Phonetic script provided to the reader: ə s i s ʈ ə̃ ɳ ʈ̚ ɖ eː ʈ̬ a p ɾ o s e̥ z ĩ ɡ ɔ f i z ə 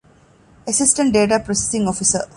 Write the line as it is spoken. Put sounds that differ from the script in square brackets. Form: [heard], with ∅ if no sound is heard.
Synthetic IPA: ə s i s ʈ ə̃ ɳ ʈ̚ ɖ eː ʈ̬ a p ɾ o s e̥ [s] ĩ [ŋ] ɔ f i [s] ə